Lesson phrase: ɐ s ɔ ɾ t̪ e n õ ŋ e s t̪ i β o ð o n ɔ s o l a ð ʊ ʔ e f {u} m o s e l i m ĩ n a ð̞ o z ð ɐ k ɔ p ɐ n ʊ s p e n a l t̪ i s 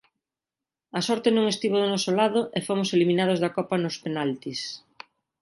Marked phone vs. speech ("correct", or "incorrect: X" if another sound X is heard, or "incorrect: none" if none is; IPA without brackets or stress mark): incorrect: o